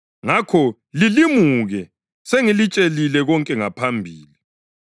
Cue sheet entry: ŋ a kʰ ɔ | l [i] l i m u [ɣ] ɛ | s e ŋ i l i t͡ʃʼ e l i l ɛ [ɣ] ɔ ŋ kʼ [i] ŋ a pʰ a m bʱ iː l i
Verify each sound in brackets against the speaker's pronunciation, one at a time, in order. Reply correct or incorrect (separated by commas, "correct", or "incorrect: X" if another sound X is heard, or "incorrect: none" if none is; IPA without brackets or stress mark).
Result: correct, correct, correct, incorrect: ɛ